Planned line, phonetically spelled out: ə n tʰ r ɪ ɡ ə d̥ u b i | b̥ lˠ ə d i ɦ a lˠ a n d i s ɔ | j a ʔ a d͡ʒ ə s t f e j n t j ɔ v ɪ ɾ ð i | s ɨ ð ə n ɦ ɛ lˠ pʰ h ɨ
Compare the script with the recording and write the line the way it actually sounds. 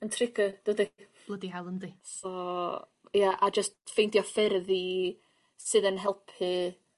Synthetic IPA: ə n tʰ r ɪ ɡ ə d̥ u d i | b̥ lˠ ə d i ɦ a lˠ ə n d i s ɔ | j a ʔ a d͡ʒ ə s t f e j n t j ɔ f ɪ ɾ ð i | s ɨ ð ə n ɦ ɛ lˠ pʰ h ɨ